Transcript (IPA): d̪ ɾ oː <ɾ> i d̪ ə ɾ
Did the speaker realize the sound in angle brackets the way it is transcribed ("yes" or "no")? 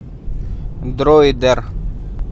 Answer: no